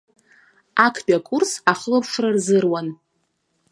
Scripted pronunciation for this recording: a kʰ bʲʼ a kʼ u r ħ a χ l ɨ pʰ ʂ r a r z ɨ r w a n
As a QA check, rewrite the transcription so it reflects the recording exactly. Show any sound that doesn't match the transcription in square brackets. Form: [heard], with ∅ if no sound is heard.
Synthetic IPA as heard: a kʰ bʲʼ a kʼ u r [s] a χ l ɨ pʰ ʂ r a r z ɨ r w a n